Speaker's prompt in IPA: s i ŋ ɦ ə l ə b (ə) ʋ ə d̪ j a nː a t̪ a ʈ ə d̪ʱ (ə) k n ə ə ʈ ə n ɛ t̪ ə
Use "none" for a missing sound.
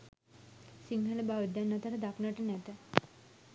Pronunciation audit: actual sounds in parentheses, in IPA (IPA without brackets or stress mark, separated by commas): a, a